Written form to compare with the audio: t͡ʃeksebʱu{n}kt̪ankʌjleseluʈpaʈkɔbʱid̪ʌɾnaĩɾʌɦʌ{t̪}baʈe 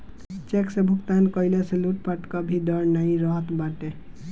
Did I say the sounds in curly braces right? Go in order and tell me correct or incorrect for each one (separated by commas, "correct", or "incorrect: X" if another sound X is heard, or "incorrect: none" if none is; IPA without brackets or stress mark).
incorrect: none, correct